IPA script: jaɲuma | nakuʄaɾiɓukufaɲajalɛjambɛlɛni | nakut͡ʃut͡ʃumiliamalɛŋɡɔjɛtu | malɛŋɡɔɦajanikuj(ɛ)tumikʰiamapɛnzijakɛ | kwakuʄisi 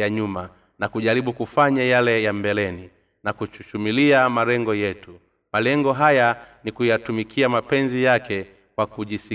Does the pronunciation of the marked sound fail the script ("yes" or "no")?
yes